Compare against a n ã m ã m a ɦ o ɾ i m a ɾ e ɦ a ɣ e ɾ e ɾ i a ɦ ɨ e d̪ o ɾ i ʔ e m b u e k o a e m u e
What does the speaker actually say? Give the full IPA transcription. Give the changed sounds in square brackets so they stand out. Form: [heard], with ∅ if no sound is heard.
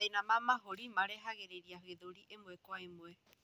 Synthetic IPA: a n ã m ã m a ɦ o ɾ i m a ɾ e ɦ a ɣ e ɾ e ɾ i a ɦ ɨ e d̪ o ɾ i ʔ e m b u e k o a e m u e